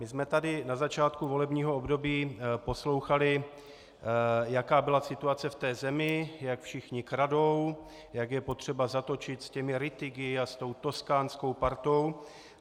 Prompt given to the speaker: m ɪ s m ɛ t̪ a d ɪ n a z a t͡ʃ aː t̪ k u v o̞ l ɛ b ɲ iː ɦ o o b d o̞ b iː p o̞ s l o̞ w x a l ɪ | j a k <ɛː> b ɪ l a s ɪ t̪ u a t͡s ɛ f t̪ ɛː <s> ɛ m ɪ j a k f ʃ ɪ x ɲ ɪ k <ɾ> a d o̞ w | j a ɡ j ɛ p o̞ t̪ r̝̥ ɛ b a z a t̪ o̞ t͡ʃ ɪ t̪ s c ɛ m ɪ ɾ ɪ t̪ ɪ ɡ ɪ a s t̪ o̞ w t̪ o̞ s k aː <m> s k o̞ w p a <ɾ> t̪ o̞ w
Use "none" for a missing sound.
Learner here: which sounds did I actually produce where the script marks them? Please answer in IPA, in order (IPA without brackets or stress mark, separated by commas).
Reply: aː, z, ɾ, n, ɾ